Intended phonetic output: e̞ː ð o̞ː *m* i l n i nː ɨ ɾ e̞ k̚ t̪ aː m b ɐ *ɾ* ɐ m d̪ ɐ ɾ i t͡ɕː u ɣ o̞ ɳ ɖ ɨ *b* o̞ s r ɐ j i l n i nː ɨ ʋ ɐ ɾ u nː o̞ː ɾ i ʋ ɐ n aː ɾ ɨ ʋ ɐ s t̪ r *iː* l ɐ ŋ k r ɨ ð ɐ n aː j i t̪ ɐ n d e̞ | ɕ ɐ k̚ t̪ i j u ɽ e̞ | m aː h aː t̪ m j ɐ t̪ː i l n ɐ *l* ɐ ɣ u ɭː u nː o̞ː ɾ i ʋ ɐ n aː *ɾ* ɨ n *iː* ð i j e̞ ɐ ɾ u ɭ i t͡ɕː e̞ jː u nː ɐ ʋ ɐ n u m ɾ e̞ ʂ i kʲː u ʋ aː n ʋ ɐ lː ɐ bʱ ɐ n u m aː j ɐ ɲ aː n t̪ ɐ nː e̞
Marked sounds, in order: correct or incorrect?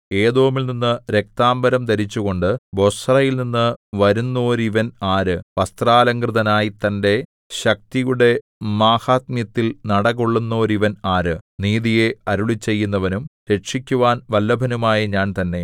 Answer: correct, correct, correct, incorrect, incorrect, correct, correct

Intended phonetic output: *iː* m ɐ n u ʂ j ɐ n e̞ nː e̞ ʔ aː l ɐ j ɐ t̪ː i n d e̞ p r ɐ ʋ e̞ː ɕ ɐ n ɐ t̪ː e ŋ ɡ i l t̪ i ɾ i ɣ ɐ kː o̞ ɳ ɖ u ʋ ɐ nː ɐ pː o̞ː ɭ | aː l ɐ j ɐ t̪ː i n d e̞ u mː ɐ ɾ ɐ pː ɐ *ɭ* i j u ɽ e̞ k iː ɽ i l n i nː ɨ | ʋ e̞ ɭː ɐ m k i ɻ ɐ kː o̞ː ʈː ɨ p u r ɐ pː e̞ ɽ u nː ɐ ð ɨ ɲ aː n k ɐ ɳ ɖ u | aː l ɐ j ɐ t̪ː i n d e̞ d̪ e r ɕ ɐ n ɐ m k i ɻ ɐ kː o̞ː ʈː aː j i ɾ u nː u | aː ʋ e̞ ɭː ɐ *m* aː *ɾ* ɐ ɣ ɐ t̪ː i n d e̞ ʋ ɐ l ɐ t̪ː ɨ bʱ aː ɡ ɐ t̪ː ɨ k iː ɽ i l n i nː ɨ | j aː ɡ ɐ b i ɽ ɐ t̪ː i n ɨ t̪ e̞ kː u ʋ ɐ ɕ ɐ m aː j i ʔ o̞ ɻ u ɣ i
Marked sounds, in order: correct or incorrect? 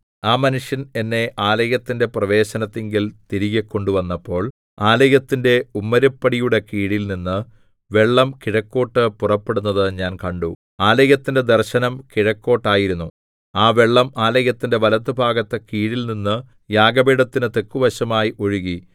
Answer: incorrect, incorrect, correct, incorrect

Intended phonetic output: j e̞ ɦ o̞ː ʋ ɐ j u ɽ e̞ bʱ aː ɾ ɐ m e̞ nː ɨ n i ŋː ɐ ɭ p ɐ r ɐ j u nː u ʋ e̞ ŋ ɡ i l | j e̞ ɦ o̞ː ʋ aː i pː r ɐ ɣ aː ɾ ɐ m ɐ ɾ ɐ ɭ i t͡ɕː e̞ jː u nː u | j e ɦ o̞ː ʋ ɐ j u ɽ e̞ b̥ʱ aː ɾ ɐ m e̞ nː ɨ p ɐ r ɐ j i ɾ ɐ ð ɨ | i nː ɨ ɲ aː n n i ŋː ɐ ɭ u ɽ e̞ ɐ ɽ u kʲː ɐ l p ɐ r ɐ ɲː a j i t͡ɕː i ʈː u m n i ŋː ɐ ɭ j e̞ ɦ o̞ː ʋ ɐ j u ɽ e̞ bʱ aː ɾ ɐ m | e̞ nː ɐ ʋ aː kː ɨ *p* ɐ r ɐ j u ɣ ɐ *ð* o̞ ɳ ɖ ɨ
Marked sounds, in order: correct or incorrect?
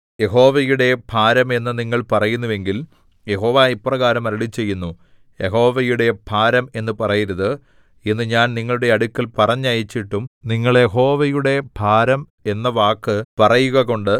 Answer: correct, incorrect

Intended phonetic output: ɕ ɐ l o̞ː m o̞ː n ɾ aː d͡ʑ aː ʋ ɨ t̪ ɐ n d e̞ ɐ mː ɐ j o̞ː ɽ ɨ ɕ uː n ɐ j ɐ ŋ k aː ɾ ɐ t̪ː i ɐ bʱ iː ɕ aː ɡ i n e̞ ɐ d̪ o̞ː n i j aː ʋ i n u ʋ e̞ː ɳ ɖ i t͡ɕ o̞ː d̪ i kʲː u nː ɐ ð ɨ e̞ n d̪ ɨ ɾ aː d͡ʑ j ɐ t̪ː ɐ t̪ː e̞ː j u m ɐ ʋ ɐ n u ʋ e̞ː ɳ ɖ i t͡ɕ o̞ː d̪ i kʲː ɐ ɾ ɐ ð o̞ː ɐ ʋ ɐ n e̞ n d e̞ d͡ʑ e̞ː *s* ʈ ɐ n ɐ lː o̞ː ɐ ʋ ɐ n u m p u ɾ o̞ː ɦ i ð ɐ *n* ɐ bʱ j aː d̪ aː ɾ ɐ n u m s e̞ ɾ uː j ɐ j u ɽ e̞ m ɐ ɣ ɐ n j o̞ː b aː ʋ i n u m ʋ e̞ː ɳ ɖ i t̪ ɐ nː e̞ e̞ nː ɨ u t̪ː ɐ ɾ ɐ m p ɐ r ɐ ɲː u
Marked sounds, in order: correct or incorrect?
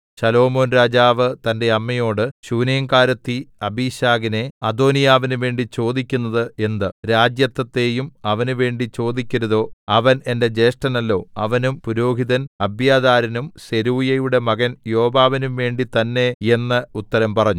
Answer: incorrect, correct

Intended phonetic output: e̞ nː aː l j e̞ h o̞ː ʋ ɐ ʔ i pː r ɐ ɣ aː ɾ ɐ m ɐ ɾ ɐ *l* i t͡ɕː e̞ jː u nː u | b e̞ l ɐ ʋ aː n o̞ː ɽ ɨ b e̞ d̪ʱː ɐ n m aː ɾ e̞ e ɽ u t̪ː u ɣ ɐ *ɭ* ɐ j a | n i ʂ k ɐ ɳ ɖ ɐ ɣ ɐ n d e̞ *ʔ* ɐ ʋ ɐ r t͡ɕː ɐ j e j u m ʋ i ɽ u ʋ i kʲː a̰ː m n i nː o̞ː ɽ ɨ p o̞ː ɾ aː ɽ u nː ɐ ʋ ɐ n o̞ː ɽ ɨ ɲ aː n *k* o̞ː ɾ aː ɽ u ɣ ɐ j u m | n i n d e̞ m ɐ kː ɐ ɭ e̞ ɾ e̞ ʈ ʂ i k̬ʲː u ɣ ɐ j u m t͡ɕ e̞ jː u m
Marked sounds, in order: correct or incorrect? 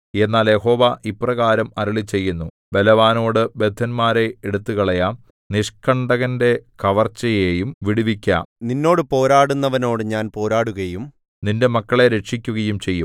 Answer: incorrect, correct, incorrect, incorrect

